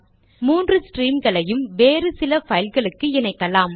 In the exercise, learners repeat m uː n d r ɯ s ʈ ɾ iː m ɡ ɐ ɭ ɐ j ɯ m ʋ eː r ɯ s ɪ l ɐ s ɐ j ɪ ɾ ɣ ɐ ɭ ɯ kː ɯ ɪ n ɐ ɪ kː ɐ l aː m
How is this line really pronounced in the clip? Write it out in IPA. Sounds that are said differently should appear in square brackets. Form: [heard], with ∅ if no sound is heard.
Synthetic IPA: m uː n d r ɯ s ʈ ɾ iː m ɡ ɐ ɭ ɐ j ɯ m ʋ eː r ɯ s ɪ l ɐ [f] ɐ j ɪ [l] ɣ ɐ ɭ ɯ kː ɯ ɪ n ɐ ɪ kː ɐ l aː m